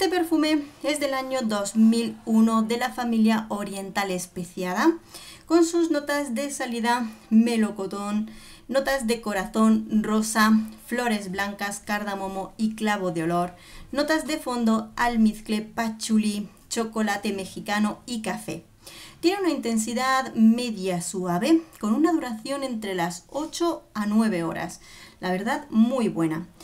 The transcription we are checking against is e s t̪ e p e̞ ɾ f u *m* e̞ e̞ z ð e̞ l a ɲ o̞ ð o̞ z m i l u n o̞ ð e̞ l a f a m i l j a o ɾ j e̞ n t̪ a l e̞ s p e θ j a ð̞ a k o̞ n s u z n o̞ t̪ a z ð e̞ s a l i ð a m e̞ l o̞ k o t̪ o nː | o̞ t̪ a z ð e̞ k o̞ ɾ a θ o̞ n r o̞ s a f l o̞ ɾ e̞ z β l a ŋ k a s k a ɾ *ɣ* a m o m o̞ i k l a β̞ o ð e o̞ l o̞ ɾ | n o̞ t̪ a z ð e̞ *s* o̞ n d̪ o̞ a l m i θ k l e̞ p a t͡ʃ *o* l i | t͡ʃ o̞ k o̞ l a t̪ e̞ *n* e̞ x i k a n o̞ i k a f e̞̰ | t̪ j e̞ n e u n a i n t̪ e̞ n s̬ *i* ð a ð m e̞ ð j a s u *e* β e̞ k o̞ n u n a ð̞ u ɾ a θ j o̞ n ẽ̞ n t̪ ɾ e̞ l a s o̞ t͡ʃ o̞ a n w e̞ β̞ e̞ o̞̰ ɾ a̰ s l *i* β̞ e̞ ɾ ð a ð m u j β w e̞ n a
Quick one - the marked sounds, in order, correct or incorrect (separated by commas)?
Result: correct, incorrect, incorrect, incorrect, incorrect, correct, incorrect, incorrect